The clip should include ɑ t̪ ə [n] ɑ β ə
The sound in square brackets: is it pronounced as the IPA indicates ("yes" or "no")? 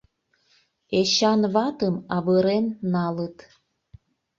no